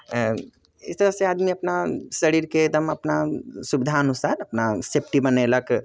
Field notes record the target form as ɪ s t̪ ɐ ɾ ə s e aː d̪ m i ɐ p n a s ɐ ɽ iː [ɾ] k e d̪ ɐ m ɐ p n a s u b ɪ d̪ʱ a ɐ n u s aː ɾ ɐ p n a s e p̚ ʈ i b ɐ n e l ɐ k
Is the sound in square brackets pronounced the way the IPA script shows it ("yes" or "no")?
yes